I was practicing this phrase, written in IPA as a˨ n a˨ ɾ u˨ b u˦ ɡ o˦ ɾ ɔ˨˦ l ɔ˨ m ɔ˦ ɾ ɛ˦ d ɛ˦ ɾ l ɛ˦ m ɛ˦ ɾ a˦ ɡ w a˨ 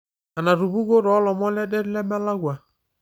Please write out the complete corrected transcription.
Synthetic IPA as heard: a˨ n a˨ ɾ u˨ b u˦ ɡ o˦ ɾ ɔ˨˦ l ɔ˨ m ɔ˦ l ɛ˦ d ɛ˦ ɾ l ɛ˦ m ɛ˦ l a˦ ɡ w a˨